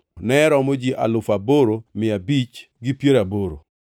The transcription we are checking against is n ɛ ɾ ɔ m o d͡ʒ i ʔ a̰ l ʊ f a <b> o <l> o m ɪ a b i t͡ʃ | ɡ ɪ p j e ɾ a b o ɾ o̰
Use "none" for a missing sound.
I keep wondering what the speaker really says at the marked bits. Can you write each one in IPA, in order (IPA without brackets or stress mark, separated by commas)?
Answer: b, ɾ